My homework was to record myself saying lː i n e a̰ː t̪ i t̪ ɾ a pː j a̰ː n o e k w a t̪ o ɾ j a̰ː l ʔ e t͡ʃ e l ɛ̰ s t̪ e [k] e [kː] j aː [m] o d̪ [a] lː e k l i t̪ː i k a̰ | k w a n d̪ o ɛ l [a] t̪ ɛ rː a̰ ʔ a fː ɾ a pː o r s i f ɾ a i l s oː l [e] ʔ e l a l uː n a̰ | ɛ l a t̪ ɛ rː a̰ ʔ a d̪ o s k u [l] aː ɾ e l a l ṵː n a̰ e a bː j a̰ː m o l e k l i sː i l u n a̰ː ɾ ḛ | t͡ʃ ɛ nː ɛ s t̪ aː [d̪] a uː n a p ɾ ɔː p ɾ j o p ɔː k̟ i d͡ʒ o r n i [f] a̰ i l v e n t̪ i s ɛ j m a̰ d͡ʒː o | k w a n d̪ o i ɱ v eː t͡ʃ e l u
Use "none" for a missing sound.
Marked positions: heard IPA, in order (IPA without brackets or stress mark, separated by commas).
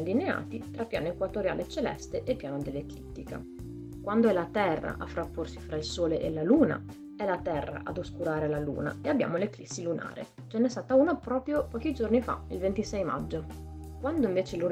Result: ʔ, pː, n, e, a, e, ɾ, t̪, f